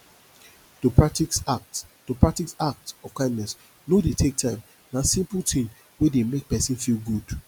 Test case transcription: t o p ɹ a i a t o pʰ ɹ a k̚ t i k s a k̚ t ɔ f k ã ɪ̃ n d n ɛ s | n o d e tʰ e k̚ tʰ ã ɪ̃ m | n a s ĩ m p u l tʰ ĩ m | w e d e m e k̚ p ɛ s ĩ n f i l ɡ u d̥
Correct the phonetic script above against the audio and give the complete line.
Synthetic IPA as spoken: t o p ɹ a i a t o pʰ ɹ a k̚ t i k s a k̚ t ɔ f k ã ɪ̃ n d n ɛ s | n o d e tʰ e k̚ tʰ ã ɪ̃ m | n a s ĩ m p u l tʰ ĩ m | w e d e m e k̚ p ɛ s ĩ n f i l ɡ u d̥